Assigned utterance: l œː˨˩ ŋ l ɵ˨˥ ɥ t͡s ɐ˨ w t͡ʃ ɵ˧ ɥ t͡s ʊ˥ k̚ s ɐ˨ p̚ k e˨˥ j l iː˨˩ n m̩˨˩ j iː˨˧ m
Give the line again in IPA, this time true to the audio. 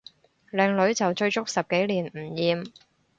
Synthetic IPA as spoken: l ɛː˨˩ ŋ l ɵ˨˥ ɥ t͡s ɐ˨ w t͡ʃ ɵ˧ ɥ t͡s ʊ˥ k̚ s ɐ˨ p̚ k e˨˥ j l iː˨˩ n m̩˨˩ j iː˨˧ m

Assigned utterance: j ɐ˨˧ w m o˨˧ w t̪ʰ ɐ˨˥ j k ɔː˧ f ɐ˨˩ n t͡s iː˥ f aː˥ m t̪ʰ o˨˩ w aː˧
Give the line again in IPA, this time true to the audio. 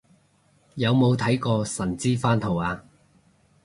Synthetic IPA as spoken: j ɐ˨˧ w m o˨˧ w t̪ʰ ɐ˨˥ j k ɔː˧ s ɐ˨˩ n t͡s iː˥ f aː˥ n t̪ʰ o˨˩ w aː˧

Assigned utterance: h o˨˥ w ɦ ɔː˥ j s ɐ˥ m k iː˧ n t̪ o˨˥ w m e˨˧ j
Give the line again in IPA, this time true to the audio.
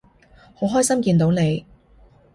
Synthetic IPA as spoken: h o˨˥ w ɦ ɔː˥ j s ɐ˥ m k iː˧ n t̪ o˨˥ w n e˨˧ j

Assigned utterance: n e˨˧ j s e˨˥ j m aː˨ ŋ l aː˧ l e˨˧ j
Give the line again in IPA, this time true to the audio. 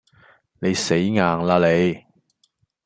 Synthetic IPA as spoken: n e˨˧ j s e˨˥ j ŋ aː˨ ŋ l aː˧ l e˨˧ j

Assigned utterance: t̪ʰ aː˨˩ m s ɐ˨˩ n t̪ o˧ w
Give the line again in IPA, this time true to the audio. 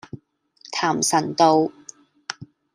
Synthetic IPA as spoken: t̪ʰ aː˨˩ m s ɐ˨˩ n t̪ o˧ w

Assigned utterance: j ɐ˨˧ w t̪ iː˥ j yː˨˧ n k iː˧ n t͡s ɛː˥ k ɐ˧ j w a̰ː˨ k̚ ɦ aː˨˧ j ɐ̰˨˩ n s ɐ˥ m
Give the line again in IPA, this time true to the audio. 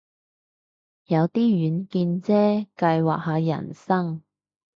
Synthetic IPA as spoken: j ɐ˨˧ w t̪ iː˥ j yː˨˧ n k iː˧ n t͡s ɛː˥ k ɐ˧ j w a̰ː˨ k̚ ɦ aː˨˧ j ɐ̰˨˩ n s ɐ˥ ŋ

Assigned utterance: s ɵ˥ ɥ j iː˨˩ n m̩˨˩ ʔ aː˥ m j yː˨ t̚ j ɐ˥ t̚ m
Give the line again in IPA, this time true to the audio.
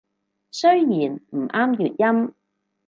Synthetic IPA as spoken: s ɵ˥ ɥ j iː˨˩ n m̩˨˩ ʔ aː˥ m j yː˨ t̚ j ɐ˥ m

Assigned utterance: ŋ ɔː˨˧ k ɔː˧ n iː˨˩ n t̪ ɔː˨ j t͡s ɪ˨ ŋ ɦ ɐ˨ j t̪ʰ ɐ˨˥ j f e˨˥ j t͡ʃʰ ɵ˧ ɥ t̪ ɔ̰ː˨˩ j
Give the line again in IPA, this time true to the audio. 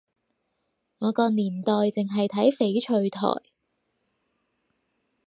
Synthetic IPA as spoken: ŋ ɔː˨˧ k ɔː˧ n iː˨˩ n t̪ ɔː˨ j t͡s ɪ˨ ŋ ɦ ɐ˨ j t̪ʰ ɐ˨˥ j f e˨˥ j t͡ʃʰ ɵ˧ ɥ t̪ʰ ɔ̰ː˨˩ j

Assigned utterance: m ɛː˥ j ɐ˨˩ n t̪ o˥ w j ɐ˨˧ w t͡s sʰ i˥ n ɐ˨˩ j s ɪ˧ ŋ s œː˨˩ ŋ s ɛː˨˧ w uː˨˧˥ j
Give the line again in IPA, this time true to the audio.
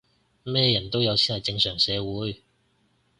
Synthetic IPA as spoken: m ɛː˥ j ɐ˨˩ n t̪ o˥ w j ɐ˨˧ w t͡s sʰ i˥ n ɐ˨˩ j t͡s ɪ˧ ŋ s œː˨˩ ŋ s ɛː˨˧ w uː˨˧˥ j

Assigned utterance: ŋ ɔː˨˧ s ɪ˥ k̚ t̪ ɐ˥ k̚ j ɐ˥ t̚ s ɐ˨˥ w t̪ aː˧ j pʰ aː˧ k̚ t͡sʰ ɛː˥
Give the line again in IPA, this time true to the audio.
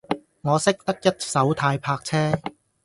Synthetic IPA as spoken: ŋ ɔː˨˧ s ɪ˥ k̚ t̪ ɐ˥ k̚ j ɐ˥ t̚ s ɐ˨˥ w t̪ʰ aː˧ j pʰ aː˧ k̚ t͡sʰ ɛː˥

